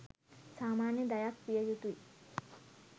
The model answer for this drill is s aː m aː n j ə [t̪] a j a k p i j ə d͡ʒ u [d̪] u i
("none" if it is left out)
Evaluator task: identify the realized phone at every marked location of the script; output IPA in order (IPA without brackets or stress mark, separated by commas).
d̪, t̪